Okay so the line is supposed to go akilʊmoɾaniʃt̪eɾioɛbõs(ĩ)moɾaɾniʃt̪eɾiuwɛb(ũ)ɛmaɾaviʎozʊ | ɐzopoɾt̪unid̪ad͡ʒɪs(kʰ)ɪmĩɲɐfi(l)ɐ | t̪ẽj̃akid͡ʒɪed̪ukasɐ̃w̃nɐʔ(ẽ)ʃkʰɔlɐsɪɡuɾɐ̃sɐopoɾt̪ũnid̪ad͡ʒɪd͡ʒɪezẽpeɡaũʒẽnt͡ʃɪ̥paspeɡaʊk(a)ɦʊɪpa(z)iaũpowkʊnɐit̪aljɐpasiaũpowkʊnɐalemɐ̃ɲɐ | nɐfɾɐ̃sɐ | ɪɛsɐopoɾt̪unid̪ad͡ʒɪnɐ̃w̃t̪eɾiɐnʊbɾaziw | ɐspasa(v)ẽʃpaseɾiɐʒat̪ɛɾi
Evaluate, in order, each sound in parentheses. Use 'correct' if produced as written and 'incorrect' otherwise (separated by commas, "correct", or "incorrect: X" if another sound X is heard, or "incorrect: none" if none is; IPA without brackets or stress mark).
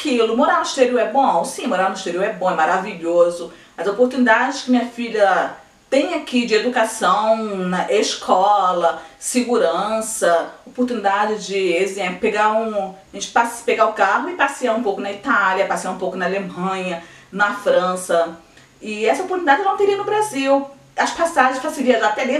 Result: correct, incorrect: õ, incorrect: k, incorrect: ʎ, incorrect: e, correct, incorrect: s, incorrect: ʒ